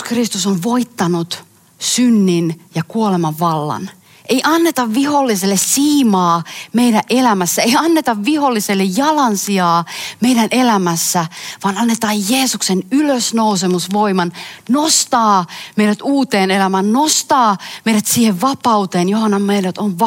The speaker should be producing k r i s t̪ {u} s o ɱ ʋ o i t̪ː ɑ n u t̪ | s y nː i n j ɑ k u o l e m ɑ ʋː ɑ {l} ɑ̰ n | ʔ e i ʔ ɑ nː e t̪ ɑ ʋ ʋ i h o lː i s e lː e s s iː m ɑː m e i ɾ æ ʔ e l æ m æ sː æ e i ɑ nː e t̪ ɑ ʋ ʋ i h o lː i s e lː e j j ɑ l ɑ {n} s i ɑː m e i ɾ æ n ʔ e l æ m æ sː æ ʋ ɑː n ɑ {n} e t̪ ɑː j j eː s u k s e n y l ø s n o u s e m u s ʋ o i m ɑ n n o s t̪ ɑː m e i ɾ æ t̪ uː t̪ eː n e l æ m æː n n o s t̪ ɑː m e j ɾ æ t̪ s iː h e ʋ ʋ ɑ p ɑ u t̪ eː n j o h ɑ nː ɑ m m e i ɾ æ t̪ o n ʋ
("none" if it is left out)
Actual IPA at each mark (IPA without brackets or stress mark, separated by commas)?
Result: u, lː, n, nː